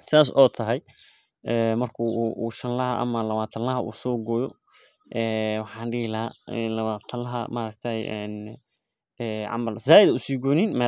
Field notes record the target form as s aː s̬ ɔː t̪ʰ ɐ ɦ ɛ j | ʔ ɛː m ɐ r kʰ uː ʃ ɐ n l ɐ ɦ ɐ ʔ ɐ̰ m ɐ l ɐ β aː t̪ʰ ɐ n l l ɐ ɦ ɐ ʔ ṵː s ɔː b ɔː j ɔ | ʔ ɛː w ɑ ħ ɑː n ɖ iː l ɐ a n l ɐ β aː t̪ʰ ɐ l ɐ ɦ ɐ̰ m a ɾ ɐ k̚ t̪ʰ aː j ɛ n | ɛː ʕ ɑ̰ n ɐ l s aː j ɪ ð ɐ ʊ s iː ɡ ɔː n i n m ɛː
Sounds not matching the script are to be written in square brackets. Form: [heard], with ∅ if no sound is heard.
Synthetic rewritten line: s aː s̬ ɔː t̪ʰ ɐ ɦ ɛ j | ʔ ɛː m ɐ r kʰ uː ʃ ɐ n l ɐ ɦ ɐ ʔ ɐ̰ m ɐ l ɐ β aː t̪ʰ ɐ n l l ɐ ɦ ɐ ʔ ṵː s ɔː [ɡ] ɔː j ɔ | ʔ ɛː w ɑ ħ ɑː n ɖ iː l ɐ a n l ɐ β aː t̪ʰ ɐ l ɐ ɦ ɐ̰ m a ɾ ɐ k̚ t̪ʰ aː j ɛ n | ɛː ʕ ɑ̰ [m] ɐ l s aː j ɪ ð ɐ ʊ s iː ɡ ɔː n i n m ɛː